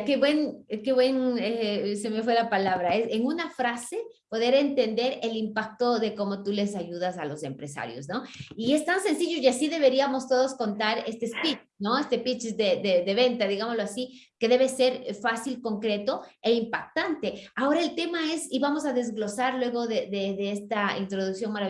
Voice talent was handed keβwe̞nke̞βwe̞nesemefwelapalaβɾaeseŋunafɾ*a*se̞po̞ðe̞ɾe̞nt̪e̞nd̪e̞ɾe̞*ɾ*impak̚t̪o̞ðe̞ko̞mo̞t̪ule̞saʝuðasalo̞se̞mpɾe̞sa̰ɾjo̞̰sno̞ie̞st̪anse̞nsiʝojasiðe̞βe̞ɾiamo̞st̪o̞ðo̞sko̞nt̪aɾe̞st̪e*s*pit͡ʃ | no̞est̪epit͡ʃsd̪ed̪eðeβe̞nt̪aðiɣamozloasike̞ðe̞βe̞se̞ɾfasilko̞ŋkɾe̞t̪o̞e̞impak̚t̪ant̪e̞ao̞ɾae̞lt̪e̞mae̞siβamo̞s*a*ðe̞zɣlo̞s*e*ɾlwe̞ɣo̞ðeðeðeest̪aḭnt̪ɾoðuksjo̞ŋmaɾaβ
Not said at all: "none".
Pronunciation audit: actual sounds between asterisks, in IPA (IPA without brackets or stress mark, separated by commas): a, l, s, a, a